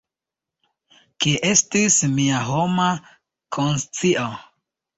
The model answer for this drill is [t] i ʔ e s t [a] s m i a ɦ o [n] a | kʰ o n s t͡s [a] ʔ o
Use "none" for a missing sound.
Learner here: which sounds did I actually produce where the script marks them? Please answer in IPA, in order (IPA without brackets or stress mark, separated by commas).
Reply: k, i, m, i